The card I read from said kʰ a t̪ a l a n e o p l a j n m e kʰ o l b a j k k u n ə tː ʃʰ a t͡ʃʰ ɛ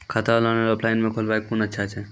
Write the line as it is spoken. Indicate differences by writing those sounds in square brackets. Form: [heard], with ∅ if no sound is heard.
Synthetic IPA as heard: kʰ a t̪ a l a n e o p l a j n m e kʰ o l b a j k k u n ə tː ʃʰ a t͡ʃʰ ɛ